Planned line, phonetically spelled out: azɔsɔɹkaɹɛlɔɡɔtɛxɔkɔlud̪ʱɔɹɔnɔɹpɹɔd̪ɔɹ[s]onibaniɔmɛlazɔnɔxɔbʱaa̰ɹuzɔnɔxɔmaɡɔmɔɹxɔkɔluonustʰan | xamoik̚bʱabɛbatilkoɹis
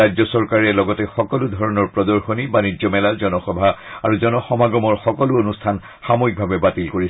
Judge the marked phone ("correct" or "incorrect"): incorrect